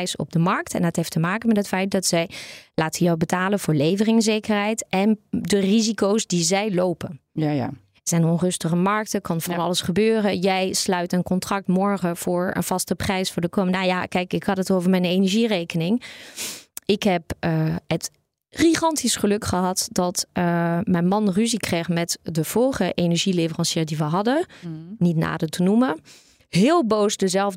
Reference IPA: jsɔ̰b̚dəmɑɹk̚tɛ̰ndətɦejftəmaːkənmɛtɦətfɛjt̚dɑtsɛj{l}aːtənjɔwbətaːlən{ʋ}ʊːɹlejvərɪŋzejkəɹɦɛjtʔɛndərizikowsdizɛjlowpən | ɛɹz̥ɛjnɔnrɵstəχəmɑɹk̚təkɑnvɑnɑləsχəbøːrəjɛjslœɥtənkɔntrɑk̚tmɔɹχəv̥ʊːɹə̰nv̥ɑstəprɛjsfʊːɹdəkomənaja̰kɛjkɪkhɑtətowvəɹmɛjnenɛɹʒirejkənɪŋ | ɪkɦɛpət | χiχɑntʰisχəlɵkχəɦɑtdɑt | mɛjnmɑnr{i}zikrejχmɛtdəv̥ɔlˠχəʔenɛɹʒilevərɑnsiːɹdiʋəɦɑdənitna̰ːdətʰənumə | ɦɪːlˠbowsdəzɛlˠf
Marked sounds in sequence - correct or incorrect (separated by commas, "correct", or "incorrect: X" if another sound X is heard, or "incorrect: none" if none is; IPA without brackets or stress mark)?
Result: correct, incorrect: v, incorrect: y